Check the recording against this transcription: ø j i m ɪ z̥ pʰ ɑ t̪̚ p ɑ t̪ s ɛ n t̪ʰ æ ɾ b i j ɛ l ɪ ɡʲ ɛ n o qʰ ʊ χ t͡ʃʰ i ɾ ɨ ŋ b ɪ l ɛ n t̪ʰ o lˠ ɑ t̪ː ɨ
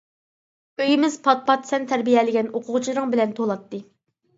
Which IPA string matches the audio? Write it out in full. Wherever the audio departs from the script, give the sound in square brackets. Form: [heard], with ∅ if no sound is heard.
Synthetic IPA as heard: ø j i m ɪ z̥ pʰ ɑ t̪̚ p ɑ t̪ s ɛ n t̪ʰ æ ɾ b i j ɛ l ɪ ɡʲ ɛ n o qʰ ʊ [ʁ] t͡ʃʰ i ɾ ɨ ŋ b ɪ l ɛ n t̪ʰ o lˠ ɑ t̪ː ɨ